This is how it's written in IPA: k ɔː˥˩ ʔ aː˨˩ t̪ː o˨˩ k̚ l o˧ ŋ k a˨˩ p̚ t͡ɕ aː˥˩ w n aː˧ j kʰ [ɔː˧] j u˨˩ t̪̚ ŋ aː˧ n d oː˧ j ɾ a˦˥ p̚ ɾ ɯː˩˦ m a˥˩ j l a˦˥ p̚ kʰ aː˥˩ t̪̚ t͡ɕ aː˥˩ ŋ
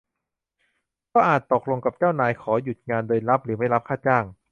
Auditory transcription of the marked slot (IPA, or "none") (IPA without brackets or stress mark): ɔː˩˦